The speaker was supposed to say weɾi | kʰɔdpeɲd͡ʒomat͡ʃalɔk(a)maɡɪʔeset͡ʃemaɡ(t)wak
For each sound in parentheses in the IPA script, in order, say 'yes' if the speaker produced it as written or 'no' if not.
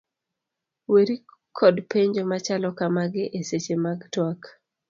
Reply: yes, yes

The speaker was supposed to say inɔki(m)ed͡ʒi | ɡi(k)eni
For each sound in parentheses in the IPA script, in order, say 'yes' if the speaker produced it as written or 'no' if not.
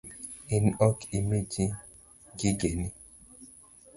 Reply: yes, no

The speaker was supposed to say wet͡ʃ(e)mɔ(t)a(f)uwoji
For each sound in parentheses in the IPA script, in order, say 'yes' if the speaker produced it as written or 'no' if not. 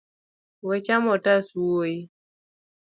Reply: no, yes, no

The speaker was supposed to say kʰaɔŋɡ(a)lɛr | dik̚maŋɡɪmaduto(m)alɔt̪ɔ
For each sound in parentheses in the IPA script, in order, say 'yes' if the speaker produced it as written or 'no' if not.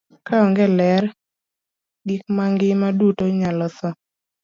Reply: no, no

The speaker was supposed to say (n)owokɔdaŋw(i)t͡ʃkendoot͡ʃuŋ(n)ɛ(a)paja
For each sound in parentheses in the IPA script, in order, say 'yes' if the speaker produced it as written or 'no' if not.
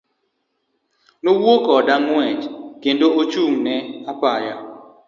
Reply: yes, no, yes, yes

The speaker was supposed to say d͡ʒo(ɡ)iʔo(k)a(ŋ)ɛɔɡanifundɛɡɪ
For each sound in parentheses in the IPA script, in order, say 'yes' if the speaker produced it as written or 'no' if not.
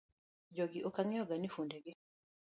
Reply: yes, yes, yes

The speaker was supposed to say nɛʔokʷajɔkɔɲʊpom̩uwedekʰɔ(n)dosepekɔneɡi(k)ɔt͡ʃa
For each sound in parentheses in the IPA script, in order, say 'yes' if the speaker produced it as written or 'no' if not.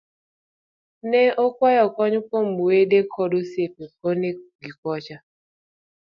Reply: no, yes

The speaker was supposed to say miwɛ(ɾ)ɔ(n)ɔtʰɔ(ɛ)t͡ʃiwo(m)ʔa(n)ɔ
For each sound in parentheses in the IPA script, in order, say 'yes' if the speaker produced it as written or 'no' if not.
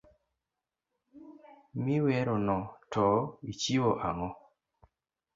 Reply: yes, yes, no, no, no

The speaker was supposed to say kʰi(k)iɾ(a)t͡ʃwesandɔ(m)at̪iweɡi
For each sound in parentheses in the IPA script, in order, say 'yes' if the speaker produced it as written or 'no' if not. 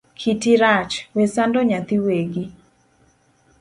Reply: no, yes, no

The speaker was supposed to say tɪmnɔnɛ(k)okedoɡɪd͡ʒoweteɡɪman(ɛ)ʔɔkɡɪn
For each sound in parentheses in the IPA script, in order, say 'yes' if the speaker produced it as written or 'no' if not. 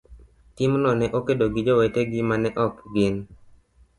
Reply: no, yes

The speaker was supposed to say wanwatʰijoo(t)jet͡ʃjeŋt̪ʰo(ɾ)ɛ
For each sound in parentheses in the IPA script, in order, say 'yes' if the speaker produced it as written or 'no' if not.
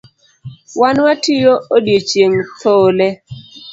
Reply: no, no

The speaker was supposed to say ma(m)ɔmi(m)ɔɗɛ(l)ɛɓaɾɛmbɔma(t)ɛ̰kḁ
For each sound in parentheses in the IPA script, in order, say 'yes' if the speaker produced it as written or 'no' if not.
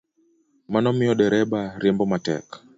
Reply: no, no, no, yes

